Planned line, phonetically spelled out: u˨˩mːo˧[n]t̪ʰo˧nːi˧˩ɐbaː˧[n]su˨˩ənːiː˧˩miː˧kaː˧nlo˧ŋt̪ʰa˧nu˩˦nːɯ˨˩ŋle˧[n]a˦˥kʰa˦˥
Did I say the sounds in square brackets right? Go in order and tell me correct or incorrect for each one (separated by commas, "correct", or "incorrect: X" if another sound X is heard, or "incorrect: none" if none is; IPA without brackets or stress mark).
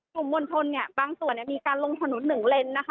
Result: correct, incorrect: ŋ, incorrect: nː